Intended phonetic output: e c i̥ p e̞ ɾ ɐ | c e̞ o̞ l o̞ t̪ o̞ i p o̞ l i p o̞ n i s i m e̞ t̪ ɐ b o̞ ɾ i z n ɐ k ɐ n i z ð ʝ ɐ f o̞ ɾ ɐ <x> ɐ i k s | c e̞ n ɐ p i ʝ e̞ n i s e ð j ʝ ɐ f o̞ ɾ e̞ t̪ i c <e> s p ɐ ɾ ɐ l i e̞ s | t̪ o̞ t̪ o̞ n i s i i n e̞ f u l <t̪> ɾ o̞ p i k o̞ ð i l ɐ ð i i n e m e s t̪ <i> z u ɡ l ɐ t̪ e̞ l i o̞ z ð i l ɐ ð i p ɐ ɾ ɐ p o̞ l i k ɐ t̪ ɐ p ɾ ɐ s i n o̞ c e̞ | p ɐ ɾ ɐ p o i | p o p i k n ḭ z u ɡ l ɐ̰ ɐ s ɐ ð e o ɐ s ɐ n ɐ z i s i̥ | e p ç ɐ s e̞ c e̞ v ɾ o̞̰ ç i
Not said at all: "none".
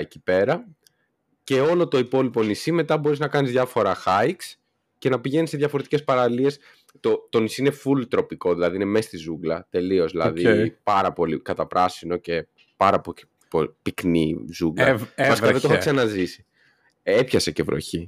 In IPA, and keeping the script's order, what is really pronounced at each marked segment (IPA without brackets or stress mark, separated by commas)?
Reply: x, e, t̪, i